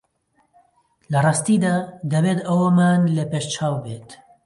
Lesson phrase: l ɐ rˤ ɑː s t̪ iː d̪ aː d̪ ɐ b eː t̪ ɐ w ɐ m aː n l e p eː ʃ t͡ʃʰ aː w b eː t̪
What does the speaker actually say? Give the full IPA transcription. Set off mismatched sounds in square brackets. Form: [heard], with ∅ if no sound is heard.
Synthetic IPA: l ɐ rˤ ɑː s t̪ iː d̪ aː d̪ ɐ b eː t̪ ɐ w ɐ m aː n l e p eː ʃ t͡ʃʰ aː w b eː t̪